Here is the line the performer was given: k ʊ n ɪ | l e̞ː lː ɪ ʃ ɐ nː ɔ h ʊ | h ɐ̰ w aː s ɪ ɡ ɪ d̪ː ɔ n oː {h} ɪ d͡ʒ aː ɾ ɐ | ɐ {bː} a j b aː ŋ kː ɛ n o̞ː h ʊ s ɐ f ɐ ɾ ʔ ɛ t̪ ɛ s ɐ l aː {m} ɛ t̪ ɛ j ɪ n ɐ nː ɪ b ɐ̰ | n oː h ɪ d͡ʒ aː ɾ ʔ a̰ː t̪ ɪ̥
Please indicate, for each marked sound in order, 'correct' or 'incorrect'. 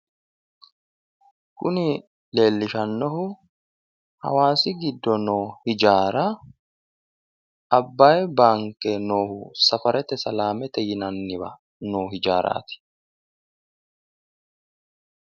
correct, correct, correct

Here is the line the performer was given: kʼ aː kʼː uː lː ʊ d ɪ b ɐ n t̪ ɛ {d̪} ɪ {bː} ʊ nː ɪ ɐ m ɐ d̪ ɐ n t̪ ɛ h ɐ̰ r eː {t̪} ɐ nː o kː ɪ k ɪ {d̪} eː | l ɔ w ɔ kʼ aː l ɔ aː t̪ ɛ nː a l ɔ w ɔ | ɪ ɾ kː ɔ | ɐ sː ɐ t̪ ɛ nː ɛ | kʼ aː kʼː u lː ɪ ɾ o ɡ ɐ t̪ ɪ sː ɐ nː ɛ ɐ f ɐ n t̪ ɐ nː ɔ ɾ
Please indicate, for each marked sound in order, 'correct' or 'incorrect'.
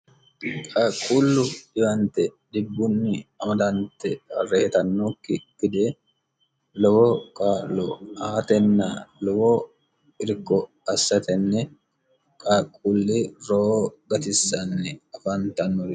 correct, correct, correct, correct

